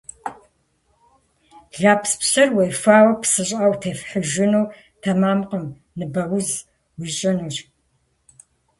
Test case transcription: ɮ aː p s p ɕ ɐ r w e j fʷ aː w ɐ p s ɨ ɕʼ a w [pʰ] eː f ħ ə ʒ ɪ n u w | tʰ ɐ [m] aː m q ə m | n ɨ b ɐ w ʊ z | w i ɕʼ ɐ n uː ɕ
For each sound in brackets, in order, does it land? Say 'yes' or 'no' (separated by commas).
no, yes